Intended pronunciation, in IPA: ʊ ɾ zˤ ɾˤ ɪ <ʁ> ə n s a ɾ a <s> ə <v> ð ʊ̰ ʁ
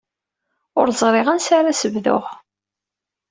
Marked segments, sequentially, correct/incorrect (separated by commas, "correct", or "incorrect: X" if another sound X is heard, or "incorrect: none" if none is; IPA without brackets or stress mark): correct, correct, correct